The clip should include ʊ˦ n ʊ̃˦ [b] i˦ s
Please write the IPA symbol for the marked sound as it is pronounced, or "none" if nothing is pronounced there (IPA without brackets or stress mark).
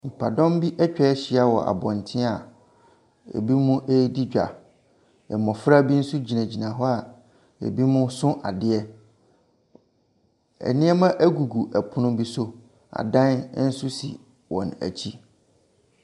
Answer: b